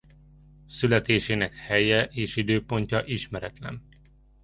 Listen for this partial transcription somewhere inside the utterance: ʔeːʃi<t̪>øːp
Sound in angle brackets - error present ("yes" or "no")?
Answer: yes